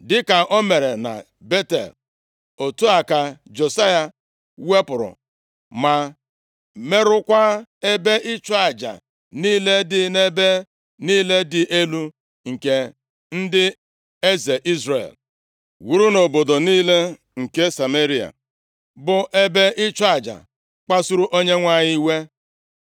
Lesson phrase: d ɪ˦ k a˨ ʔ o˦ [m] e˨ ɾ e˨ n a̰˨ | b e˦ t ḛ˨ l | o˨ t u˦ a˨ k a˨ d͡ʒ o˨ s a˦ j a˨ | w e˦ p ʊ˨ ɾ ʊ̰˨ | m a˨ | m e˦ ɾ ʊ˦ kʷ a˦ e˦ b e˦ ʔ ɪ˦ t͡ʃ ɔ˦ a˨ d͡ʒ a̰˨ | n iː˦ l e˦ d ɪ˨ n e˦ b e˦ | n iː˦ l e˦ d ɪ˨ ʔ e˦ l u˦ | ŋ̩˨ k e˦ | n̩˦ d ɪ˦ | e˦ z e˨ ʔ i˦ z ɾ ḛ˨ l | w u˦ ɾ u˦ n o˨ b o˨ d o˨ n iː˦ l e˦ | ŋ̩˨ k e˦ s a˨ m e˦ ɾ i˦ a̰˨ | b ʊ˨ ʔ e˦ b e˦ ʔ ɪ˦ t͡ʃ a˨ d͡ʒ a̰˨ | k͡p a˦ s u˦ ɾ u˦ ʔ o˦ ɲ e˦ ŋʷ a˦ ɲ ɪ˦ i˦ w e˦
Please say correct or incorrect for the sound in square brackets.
correct